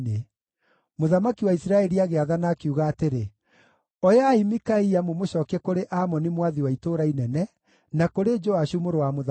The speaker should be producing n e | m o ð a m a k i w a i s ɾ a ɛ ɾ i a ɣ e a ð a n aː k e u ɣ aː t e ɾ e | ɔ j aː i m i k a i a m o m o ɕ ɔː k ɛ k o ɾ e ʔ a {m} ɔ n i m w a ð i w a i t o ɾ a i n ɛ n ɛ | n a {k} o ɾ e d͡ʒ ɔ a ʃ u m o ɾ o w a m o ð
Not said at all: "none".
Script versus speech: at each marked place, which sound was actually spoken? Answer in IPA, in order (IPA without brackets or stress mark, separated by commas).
m, k